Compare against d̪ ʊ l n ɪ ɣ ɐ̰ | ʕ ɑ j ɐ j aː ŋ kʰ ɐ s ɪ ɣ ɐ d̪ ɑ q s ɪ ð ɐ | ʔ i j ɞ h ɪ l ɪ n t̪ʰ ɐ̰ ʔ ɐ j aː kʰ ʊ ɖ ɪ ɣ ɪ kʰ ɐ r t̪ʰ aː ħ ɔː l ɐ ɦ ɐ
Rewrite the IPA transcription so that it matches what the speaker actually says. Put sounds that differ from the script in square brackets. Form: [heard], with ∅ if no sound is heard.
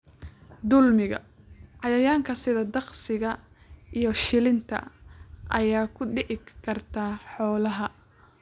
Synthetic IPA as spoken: d̪ ʊ l [m] ɪ ɣ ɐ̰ | ʕ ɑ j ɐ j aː ŋ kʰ ɐ s ɪ [ð] ɐ d̪ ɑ q s ɪ [ɣ] ɐ | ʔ i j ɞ [ʃ] ɪ l ɪ n t̪ʰ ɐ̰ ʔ ɐ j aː kʰ ʊ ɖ ɪ [ʕ] ɪ kʰ ɐ r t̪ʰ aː ħ ɔː l ɐ ɦ ɐ